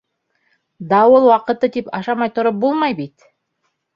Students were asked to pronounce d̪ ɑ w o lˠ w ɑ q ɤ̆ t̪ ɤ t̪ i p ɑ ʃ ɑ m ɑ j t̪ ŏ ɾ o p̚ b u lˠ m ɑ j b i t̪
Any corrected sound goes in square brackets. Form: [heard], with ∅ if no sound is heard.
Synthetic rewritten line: d̪ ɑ w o lˠ w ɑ q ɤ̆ t̪ ɤ t̪ i p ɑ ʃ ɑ m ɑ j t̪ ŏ ɾ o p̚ b u lˠ m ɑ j b i t̪